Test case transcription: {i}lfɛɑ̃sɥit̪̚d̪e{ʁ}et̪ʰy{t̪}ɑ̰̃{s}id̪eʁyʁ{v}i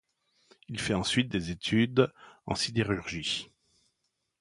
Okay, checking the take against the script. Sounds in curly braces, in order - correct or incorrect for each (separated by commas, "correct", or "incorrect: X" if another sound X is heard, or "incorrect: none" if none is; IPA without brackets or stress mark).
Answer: correct, incorrect: z, incorrect: d̪, correct, incorrect: ʒ